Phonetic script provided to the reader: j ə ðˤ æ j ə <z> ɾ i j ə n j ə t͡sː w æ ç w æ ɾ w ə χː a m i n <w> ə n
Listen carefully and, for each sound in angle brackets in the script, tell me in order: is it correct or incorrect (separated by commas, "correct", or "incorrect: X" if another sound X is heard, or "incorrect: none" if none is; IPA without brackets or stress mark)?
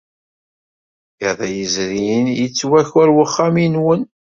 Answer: correct, correct